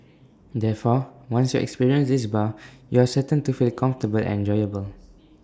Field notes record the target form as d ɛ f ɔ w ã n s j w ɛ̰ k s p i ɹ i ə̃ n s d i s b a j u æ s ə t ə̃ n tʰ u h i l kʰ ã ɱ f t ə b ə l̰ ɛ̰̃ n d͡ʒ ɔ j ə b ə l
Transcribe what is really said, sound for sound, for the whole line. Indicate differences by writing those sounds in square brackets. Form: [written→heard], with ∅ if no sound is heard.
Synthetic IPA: d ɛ f ɔ w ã n s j [w→u] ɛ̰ k s p i ɹ i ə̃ n s d i s b a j u [æ→a] s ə t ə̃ n [tʰ→t] u [h→f] i l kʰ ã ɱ f t ə b ə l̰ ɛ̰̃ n d͡ʒ ɔ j ə b ə l